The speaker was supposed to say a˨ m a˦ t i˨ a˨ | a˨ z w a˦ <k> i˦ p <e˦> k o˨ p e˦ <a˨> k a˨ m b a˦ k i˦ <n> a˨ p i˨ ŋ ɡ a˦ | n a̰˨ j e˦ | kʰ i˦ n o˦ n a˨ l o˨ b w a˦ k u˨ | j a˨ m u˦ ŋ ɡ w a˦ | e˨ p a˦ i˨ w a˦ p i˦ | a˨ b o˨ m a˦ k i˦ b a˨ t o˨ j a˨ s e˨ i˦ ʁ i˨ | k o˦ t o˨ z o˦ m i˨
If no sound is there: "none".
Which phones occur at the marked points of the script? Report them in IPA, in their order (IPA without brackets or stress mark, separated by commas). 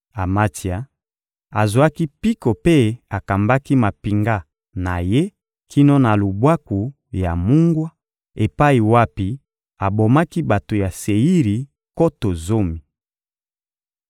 k, i˦, a˨, m